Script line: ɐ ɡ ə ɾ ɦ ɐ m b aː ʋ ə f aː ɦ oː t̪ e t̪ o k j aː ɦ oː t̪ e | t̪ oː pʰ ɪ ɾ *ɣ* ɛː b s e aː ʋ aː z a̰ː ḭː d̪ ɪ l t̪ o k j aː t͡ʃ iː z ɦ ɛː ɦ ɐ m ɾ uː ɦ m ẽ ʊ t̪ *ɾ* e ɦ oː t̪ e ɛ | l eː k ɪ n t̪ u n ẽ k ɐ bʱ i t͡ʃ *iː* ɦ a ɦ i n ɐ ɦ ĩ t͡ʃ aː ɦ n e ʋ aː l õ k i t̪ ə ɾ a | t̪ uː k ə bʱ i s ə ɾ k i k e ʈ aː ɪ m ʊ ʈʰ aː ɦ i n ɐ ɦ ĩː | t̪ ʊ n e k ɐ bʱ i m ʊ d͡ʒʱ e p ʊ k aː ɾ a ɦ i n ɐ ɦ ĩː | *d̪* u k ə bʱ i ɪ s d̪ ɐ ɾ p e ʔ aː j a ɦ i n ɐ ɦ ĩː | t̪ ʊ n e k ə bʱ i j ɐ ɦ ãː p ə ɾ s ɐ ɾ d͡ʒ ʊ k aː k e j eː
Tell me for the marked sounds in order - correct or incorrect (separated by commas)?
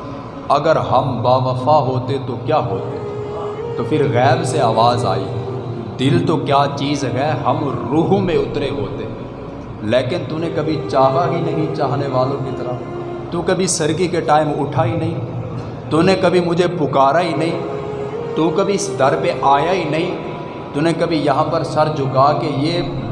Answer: correct, correct, incorrect, incorrect